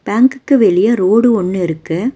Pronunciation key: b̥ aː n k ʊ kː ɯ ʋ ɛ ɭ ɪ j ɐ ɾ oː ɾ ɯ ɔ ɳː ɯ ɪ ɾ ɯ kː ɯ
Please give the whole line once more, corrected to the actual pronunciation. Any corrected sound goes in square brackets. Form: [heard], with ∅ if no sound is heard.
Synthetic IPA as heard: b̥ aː [ŋ] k [ɯ] kː ɯ ʋ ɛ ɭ ɪ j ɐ ɾ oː [ɽ] ɯ ɔ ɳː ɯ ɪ ɾ ɯ kː ɯ